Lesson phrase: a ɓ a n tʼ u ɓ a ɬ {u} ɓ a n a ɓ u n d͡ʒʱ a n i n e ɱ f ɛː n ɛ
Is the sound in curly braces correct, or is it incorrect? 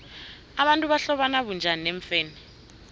incorrect